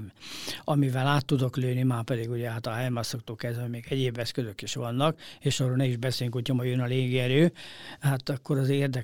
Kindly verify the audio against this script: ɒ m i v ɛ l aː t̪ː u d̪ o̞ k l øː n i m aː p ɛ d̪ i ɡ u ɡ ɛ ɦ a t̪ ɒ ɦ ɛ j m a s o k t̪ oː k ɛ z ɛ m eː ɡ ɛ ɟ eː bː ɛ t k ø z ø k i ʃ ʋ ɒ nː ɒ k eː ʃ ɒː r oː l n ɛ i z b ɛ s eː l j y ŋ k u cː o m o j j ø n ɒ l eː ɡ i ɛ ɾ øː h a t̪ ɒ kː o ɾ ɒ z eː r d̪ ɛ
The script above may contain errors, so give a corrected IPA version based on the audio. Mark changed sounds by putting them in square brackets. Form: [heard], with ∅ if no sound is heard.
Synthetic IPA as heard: ɒ m i v ɛ l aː t̪ː u d̪ o̞ k l øː n i m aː p ɛ d̪ i ɡ u [ɟ] ɛ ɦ a t̪ ɒ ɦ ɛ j m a s o k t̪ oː k ɛ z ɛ m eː ɡ ɛ ɟ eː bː ɛ [s] k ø z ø k i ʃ ʋ ɒ nː ɒ k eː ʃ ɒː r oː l n ɛ i [ʒ] b ɛ s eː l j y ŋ k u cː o m o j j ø n ɒ l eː ɡ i ɛ ɾ øː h a t̪ ɒ kː o ɾ ɒ z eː r d̪ ɛ